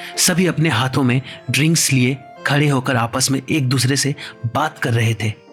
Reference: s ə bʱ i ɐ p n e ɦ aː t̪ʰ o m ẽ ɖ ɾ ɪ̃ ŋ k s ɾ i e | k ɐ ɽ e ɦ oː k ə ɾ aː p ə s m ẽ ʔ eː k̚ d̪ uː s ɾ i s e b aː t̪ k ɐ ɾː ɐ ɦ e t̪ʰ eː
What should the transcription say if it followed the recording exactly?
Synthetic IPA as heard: s ɐ bʱ i ɐ p n e ɦ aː t̪ʰ õ m ẽ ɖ ɾ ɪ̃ ŋ k s l i e | kʰ ɐ ɽ e ɦ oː k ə ɾ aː p ə s m ẽ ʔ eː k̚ d̪ uː s ɾ e s e b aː t̪ k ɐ ɾː ɐ ɦ e t̪ʰ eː